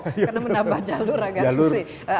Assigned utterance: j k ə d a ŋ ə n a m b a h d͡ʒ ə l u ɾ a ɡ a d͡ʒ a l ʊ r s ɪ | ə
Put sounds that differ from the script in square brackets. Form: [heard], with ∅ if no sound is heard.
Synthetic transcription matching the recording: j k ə [n] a [m] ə n a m b a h d͡ʒ [a] l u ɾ a ɡ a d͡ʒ a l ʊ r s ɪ | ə